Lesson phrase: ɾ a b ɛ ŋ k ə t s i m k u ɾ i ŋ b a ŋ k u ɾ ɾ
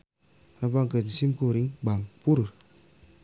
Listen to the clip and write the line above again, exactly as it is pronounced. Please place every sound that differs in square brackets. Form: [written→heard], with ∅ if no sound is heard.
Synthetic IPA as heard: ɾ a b [ɛ→a] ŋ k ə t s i m k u ɾ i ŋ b a ŋ [k→p] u ɾ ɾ